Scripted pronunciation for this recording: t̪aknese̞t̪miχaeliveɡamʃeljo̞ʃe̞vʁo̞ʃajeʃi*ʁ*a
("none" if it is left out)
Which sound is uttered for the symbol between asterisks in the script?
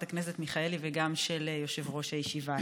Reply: v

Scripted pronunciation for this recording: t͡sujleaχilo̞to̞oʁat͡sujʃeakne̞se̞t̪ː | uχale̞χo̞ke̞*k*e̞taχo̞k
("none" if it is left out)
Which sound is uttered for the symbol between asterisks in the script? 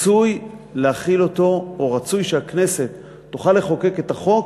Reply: k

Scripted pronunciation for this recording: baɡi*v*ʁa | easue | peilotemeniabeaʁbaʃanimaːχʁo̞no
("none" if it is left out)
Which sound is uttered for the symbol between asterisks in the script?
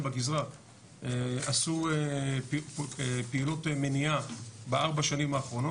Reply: z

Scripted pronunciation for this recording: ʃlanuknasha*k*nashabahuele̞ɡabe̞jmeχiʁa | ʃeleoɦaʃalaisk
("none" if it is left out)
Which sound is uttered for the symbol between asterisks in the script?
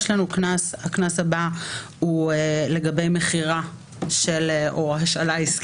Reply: k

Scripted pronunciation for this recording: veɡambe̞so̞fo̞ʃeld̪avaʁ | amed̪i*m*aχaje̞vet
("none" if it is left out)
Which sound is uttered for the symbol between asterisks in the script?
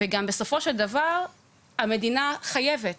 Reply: n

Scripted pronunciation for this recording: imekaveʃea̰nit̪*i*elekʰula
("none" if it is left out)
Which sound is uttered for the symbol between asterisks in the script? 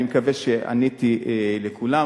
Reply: i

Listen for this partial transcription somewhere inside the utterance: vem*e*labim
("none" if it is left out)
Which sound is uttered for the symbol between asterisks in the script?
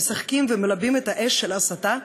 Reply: e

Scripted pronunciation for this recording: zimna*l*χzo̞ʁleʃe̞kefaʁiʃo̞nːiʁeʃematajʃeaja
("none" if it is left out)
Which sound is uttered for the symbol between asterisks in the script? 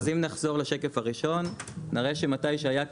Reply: none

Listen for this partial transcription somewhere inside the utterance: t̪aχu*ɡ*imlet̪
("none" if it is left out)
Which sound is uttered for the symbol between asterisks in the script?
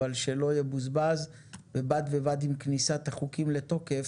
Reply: k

